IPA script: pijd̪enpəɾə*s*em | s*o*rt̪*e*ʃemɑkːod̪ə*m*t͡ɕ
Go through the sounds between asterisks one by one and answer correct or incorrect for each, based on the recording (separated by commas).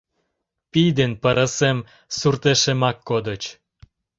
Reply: correct, incorrect, correct, incorrect